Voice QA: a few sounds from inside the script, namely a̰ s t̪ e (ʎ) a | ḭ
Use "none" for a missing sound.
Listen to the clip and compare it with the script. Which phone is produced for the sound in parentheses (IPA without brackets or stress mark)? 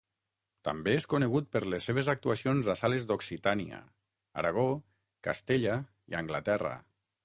ʎ